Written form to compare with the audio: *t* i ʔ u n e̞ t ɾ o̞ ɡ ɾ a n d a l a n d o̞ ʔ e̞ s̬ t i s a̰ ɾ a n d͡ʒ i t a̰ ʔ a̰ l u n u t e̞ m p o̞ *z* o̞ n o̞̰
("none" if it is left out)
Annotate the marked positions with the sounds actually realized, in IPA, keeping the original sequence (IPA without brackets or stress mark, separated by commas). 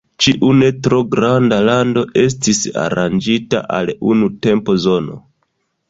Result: t͡ʃ, z